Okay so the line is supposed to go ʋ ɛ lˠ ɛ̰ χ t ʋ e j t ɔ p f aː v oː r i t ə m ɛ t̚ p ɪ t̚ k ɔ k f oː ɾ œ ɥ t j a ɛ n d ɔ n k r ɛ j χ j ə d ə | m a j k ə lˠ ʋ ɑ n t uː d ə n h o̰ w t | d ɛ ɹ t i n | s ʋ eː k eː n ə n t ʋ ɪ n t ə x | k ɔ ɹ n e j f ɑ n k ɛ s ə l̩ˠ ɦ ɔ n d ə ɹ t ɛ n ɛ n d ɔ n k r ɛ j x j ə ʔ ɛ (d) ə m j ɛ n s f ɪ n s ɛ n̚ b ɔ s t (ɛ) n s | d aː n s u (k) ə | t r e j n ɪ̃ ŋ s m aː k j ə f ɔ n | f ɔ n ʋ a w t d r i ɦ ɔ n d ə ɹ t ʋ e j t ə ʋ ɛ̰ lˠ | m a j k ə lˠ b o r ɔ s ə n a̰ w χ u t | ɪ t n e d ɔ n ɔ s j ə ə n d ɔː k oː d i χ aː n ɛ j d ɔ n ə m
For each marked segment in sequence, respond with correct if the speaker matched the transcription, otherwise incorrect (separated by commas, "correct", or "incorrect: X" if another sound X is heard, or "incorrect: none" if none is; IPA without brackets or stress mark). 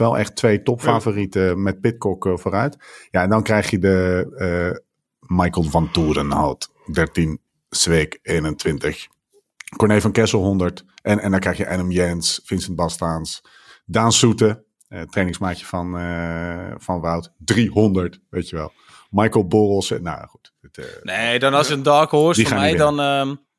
incorrect: n, incorrect: a, incorrect: t